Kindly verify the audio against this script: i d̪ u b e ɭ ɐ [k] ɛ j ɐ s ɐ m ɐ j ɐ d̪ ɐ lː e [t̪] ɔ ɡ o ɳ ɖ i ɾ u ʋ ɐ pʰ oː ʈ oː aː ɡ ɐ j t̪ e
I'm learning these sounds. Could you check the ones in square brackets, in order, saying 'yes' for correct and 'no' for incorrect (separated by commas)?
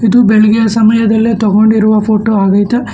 no, yes